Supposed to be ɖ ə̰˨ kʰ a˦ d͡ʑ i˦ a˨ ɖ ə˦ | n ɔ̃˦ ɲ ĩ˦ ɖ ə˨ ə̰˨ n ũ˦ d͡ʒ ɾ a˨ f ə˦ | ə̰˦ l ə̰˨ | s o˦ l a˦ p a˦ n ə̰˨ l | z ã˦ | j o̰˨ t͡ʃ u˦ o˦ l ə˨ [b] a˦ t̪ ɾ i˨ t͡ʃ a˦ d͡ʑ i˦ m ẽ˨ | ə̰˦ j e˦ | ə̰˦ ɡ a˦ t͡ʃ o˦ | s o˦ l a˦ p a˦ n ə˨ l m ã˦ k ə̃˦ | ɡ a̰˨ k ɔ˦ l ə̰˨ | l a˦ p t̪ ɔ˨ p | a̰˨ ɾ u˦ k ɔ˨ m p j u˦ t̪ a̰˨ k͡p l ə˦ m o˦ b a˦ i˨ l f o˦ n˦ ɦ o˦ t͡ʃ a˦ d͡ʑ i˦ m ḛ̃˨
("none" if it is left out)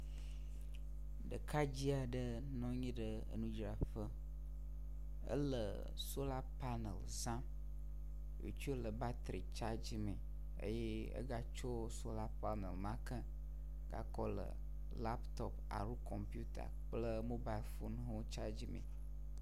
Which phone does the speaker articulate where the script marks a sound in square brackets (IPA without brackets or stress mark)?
b